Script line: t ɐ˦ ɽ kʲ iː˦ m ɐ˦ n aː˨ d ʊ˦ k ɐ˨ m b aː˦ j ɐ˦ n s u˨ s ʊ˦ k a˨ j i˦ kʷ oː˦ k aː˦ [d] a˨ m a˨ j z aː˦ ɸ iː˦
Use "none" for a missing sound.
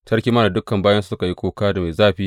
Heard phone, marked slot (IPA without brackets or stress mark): d